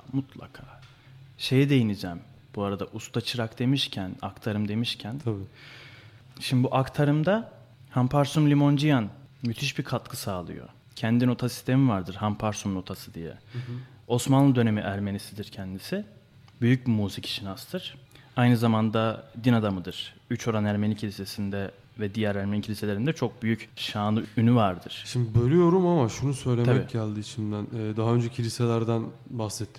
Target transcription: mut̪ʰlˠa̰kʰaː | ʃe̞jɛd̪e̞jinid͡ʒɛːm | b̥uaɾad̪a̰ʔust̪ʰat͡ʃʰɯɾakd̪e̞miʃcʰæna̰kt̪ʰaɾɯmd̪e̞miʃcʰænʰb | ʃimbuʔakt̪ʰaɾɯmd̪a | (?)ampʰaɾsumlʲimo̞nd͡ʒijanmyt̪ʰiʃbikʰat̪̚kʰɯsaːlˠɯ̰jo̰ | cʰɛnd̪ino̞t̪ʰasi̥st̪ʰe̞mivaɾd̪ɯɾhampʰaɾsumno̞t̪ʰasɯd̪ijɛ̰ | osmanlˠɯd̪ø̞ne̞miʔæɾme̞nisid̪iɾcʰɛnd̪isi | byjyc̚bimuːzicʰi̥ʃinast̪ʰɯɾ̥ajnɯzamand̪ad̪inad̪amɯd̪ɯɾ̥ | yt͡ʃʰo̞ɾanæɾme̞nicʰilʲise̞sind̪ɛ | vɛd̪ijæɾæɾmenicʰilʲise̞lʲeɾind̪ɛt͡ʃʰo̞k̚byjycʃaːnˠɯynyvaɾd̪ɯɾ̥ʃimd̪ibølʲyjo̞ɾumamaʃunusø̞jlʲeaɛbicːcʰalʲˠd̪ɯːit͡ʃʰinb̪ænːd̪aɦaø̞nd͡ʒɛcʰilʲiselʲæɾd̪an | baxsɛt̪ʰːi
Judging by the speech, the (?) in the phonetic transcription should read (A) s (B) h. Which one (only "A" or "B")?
B